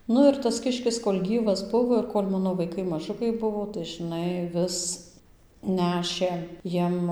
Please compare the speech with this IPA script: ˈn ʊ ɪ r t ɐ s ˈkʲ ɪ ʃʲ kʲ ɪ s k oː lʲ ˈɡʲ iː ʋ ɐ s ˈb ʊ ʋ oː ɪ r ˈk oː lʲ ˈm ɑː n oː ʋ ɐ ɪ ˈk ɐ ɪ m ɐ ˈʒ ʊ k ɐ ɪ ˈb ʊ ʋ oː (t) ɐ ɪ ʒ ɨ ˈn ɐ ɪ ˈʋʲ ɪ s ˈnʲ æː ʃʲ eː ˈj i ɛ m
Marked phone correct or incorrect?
correct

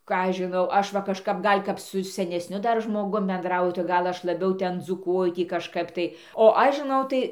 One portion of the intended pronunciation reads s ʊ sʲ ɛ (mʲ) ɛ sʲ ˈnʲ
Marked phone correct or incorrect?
incorrect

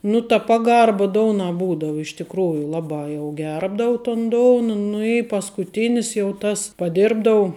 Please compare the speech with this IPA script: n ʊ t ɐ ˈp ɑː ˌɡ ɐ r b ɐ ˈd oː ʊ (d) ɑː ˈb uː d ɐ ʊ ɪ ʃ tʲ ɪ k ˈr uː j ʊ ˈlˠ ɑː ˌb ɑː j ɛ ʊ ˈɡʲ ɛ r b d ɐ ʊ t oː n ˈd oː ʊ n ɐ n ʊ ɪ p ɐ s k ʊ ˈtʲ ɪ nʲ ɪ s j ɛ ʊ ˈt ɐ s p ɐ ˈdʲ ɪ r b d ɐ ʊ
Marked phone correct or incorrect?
incorrect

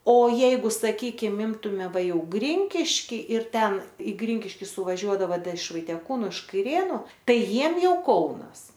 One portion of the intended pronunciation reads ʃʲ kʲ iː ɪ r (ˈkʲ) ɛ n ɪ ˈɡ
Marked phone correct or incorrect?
incorrect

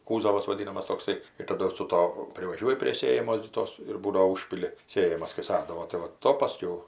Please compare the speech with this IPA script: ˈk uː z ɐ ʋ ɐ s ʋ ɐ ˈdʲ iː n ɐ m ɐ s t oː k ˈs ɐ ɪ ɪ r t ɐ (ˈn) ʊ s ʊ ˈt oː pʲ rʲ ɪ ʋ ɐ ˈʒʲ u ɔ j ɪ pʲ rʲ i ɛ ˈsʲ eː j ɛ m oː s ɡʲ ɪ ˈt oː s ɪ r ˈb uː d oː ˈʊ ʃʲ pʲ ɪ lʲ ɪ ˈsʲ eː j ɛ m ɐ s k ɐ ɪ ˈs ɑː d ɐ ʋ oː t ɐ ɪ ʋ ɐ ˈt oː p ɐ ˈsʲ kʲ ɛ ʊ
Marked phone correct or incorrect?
incorrect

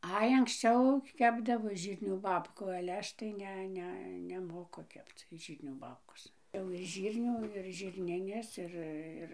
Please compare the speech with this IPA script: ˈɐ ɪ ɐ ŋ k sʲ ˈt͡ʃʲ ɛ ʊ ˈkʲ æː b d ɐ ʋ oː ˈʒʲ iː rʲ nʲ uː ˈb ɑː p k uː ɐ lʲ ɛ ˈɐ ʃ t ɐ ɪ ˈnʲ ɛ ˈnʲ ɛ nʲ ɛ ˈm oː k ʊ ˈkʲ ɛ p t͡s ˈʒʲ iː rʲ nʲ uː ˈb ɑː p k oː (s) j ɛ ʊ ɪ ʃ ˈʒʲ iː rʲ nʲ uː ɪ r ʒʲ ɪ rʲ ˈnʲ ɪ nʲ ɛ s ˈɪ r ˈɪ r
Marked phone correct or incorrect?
correct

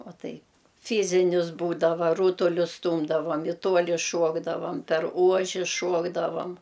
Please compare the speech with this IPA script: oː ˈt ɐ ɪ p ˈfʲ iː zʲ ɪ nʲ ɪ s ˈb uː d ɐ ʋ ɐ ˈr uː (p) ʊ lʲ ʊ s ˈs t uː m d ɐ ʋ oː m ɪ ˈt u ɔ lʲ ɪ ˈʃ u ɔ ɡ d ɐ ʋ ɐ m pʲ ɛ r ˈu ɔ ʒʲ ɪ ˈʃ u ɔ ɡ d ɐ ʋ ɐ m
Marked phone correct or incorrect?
incorrect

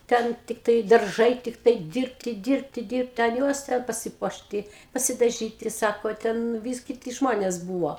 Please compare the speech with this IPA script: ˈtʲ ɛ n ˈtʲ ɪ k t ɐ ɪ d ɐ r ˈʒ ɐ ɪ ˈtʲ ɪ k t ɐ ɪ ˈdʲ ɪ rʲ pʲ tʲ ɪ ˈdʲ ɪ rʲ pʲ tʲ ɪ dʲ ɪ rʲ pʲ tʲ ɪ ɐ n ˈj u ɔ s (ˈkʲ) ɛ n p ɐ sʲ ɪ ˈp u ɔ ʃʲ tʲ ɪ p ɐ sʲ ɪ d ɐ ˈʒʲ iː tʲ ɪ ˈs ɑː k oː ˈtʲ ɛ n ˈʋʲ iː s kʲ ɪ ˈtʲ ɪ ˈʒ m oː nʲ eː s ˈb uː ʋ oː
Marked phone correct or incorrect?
incorrect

